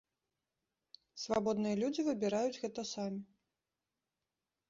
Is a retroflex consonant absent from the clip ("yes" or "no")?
yes